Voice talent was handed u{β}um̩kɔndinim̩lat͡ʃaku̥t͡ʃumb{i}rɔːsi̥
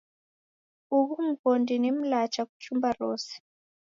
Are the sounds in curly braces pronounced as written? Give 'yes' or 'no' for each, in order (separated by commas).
yes, no